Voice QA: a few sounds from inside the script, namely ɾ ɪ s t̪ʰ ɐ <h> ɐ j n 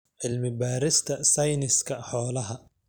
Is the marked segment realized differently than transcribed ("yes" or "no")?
yes